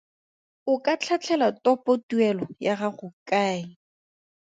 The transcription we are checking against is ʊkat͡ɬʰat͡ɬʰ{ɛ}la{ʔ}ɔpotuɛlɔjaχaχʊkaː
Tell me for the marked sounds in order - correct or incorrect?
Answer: correct, incorrect

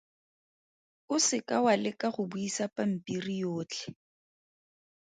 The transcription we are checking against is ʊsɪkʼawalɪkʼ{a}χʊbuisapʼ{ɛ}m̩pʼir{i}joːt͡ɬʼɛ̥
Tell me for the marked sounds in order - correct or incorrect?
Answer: correct, incorrect, correct

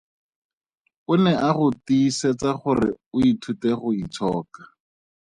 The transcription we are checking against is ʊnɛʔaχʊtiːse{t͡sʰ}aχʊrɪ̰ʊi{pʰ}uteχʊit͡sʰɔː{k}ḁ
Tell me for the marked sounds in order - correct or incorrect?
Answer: incorrect, incorrect, correct

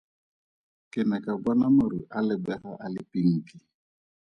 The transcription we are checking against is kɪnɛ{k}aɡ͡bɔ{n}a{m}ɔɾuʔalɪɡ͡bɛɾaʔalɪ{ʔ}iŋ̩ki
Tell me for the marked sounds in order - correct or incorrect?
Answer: correct, correct, correct, incorrect

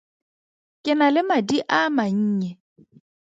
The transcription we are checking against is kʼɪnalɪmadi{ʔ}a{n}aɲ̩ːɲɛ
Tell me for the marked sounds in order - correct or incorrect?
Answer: correct, incorrect

